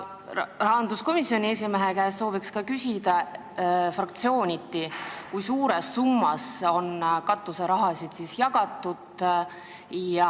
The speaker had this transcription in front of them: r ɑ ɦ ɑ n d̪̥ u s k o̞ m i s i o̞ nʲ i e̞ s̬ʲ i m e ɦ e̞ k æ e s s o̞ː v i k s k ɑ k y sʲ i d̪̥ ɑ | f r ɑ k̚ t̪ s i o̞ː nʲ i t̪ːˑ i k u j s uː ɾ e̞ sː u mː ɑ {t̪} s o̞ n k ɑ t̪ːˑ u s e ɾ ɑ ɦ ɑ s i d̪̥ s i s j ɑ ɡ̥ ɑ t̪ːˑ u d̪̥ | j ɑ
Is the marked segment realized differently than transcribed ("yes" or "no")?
yes